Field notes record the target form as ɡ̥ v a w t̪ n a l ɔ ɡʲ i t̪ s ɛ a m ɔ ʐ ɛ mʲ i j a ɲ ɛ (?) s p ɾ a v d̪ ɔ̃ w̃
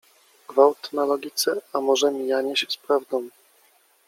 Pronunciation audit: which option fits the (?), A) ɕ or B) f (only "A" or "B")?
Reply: A